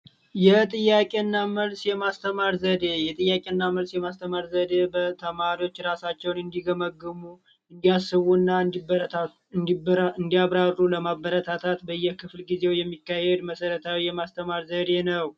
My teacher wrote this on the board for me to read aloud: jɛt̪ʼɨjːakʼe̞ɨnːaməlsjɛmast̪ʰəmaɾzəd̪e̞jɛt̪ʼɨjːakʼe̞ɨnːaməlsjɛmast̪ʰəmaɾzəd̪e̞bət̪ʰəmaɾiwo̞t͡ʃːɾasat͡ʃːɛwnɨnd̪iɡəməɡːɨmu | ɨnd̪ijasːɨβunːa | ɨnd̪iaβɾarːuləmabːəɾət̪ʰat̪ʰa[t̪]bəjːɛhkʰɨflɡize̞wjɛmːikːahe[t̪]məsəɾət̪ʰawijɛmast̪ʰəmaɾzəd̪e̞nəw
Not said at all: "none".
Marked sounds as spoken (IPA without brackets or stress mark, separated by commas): t̪, d̪